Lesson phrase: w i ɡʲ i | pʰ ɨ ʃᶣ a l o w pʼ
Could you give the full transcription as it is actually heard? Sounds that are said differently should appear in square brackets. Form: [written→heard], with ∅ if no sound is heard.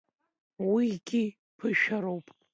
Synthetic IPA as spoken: w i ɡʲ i | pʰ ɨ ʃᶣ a [l→ɾ] o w pʼ